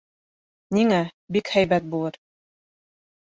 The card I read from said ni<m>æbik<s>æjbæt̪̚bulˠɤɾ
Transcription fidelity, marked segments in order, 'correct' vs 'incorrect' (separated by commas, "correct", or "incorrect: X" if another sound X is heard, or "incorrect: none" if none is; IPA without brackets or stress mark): incorrect: ŋ, incorrect: h